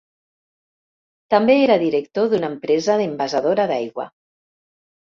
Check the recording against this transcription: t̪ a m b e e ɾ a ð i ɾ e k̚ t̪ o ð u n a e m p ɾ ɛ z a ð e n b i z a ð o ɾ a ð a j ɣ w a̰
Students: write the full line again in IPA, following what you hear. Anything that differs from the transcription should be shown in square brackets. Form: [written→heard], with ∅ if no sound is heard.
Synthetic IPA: t̪ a m b e e ɾ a ð i ɾ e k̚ t̪ o ð u n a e m p ɾ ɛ z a ð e [n→m] b [i→a] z a ð o ɾ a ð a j ɣ w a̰